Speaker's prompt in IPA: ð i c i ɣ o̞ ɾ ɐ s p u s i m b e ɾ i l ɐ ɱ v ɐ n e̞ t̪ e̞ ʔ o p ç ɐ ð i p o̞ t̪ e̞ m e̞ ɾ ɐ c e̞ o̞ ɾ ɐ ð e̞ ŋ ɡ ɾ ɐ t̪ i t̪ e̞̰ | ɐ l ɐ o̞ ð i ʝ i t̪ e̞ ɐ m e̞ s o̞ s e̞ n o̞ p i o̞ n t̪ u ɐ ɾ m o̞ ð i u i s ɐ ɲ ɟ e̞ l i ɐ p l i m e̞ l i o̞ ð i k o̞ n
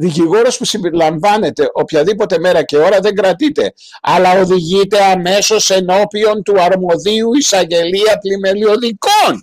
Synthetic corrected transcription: ð i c i ɣ o̞ ɾ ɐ s p u s i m b e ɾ i l ɐ ɱ v ɐ n e̞ t̪ e̞ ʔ o p ç ɐ ð i p o̞ t̪ e̞ m e̞ ɾ ɐ c e̞ o̞ ɾ ɐ ð e̞ ŋ ɡ ɾ ɐ t̪ i t̪ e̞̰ | ɐ l ɐ o̞ ð i ʝ i t̪ e̞ ɐ m e̞ s o̞ s e̞ n o̞ p i o̞ n t̪ u ɐ ɾ m o̞ ð i u i s ɐ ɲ ɟ e̞ l i ɐ p l i m e̞ l i o̞ ð i k o̞ n